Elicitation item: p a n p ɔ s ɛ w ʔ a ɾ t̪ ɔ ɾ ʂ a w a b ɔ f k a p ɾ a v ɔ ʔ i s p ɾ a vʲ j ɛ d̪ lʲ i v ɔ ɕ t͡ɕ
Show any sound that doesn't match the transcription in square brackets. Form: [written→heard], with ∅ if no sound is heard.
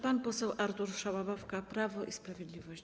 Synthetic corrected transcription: p a n p ɔ s ɛ w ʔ a ɾ t̪ [ɔ→u] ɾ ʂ a w a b ɔ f k a p ɾ a v ɔ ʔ i s p ɾ a vʲ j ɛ d̪ lʲ i v ɔ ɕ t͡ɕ